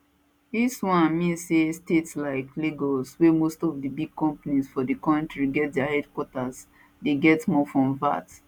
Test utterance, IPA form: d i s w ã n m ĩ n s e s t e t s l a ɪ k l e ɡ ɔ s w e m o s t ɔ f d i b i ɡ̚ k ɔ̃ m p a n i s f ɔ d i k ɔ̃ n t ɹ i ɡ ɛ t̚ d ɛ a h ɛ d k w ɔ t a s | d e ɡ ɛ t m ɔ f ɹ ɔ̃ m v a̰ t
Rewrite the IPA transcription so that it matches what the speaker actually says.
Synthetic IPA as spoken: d i s w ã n m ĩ n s e s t e t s l a ɪ k l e ɡ ɔ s w e m o s t ɔ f d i b i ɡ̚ k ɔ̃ m p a n i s f ɔ d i k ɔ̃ n t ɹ i ɡ ɛ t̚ d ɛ a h ɛ d k w ɔ t a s | d e ɡ ɛ t m ɔ f ɹ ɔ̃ m v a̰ t